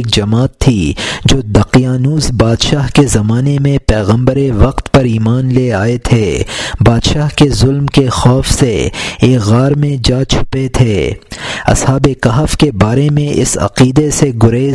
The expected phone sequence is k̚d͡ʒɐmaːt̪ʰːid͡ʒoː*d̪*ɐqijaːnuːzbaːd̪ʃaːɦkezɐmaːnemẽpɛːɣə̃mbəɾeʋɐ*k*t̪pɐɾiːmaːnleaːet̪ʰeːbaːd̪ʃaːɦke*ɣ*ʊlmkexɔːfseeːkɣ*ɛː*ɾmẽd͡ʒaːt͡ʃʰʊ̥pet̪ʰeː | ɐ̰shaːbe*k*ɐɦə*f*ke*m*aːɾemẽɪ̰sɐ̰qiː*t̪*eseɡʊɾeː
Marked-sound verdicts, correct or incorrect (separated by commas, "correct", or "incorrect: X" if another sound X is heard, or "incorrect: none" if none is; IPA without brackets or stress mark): correct, incorrect: q, incorrect: z, incorrect: aː, correct, correct, incorrect: b, incorrect: d̪